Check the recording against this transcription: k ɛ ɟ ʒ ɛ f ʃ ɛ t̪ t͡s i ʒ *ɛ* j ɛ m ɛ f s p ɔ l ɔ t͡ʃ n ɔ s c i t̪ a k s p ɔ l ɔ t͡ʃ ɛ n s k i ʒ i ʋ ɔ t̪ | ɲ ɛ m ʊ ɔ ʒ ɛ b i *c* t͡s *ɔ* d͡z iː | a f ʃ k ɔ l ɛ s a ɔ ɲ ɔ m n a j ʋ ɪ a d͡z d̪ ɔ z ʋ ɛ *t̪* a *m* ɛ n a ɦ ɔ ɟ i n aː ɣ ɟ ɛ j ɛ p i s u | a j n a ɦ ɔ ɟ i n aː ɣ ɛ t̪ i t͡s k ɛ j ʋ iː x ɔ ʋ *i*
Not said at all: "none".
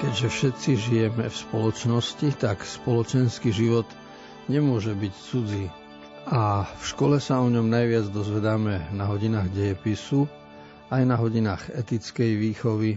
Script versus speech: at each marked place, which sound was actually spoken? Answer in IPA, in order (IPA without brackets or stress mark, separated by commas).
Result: i, c, u, d̪, m, i